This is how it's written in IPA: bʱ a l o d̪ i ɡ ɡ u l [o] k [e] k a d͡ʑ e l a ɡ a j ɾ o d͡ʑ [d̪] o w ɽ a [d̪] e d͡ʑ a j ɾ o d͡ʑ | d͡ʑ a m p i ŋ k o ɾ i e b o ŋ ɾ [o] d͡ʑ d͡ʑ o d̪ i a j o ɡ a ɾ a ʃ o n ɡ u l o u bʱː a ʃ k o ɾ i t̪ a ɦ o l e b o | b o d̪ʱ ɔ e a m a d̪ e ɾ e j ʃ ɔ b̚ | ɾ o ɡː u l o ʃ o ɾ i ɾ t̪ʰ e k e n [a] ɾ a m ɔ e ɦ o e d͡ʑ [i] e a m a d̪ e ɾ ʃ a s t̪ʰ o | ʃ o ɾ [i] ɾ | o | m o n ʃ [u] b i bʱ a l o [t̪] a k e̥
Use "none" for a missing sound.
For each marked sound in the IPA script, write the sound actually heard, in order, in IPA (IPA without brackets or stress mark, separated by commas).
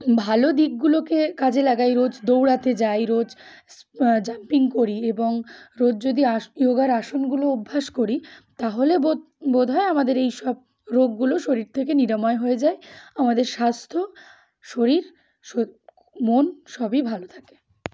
o, e, d̪, t̪, o, i, a, i, ɔ, t̪ʰ